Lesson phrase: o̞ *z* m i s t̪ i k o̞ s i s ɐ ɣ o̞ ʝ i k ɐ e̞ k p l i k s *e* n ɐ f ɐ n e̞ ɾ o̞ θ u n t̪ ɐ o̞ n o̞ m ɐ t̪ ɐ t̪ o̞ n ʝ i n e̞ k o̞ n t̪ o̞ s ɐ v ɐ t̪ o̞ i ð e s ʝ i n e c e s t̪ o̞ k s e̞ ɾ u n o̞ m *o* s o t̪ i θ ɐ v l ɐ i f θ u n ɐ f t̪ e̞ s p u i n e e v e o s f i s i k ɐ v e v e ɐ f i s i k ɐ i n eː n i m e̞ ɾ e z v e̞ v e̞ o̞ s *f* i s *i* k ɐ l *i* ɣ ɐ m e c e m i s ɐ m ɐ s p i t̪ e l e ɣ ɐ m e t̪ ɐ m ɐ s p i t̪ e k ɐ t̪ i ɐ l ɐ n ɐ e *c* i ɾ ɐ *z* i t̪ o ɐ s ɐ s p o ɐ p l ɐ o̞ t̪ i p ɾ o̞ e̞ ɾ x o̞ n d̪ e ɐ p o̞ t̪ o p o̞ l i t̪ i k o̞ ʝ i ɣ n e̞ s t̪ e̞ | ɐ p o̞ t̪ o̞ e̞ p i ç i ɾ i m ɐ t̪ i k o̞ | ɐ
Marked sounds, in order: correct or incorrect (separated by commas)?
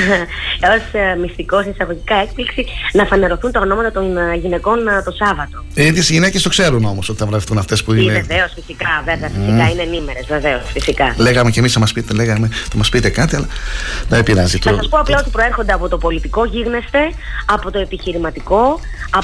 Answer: incorrect, incorrect, correct, correct, correct, incorrect, incorrect, correct